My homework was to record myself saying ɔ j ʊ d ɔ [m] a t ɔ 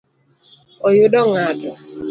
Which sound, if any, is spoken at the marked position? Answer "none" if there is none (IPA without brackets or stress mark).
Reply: ŋ